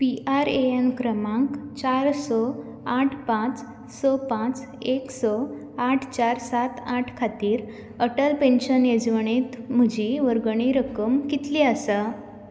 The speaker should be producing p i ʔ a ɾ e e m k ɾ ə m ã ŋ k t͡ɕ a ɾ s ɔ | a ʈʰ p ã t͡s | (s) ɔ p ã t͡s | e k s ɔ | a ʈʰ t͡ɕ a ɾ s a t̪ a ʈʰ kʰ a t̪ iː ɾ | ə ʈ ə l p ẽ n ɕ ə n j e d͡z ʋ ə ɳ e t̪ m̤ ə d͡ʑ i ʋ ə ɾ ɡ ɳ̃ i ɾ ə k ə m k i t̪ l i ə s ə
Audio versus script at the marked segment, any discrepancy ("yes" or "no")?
no